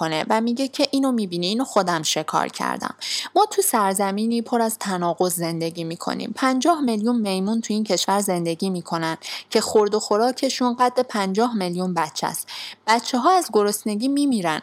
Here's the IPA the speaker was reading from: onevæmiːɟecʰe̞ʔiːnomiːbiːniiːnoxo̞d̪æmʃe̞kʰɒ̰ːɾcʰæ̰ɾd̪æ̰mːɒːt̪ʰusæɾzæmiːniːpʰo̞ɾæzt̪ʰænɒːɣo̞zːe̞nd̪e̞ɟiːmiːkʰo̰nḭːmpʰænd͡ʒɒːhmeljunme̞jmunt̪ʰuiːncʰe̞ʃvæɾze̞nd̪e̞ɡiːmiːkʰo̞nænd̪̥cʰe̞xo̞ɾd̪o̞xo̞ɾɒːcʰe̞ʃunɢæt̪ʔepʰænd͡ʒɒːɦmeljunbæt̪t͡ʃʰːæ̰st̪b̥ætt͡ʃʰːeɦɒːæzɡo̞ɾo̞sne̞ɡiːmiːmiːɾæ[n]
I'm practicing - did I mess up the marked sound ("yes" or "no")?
no